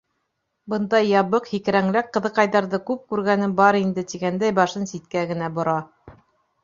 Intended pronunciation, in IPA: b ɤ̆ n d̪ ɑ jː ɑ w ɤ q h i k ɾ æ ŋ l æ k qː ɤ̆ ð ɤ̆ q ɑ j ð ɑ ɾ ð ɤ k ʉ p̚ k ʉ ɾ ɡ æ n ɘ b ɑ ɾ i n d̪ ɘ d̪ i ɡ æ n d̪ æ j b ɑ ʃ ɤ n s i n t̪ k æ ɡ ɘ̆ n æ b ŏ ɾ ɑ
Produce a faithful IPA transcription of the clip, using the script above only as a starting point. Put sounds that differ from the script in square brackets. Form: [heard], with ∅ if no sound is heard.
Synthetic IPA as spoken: b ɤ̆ n d̪ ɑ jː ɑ [β] ɤ q h i k ɾ æ ŋ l æ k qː ɤ̆ ð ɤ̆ q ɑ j ð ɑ ɾ ð ɤ k ʉ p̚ k ʉ ɾ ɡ æ n ɘ b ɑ ɾ i n d̪ ɘ [t̪] i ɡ æ n d̪ æ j b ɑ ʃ ɤ n s i [∅] t̪ k æ ɡ ɘ̆ n æ b ŏ ɾ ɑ